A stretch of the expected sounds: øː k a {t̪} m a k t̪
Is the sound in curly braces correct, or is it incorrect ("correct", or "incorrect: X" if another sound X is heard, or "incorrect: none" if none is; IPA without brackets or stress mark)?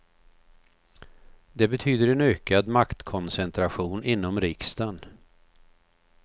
incorrect: d̪